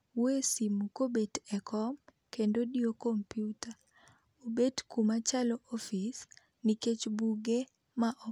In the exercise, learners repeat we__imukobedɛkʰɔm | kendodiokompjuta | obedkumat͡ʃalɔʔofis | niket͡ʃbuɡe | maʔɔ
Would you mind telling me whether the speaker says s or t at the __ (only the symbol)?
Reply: s